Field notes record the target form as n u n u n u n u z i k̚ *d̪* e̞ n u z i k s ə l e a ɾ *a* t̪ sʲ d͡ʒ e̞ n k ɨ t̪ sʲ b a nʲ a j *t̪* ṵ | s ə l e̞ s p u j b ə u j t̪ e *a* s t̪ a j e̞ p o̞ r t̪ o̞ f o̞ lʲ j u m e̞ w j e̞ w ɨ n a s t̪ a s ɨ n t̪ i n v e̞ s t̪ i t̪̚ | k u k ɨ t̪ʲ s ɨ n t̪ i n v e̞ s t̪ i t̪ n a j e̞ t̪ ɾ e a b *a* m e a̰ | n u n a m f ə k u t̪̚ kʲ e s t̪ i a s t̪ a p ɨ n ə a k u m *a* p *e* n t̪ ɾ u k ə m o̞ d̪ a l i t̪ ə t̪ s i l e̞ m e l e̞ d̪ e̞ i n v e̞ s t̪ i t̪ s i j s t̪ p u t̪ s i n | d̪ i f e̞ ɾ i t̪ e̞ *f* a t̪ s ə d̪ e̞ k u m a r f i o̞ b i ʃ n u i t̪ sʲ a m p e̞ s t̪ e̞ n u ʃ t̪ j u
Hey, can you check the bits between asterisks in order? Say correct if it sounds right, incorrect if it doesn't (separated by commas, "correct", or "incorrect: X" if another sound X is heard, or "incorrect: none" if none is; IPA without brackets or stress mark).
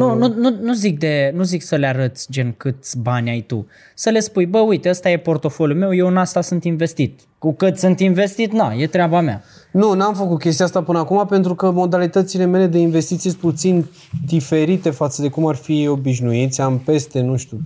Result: correct, incorrect: ə, correct, incorrect: ə, correct, correct, correct, correct